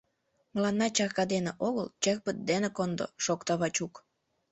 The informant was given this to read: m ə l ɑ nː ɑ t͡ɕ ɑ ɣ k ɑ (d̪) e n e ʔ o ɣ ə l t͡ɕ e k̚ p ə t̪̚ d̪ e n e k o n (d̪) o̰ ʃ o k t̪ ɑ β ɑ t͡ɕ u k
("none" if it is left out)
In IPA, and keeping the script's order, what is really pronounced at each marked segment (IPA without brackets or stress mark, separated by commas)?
d̪, d̪